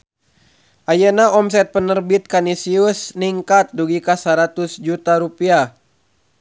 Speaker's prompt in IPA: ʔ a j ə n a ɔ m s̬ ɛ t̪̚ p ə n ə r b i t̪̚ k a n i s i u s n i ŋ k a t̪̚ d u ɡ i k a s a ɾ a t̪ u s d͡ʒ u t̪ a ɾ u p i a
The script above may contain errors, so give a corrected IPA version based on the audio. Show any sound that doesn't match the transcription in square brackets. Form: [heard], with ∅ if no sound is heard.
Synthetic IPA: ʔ a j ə n a ɔ m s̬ ɛ t̪̚ p ə n ə r b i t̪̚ k a n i s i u s n i ŋ k a t̪̚ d u ɡ i k a s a ɾ a t̪ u s d͡ʒ u t̪ a ɾ u p i a